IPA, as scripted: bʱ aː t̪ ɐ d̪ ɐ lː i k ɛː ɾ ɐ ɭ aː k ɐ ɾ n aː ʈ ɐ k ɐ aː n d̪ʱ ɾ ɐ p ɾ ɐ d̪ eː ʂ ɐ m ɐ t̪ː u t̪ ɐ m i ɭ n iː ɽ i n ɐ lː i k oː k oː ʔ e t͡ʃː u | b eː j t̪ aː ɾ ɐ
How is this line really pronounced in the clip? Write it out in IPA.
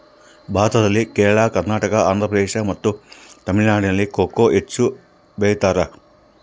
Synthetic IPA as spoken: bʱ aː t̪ ɐ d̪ ɐ lː i k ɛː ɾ ɐ ɭ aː k ɐ ɾ n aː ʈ ɐ k ɐ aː n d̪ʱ ɾ ɐ p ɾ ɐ d̪ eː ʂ ɐ m ɐ t̪ː u t̪ ɐ m i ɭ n aː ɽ i n ɐ lː i k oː k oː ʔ e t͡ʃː u | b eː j t̪ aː ɾ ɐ